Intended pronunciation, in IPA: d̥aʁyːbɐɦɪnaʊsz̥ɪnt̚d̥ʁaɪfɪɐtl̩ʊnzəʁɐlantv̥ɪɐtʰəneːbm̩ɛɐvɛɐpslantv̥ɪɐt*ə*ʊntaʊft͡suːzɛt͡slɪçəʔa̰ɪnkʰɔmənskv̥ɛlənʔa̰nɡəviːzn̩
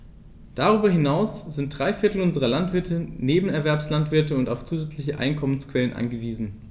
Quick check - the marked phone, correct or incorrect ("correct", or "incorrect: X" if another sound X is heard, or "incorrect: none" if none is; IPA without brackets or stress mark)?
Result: correct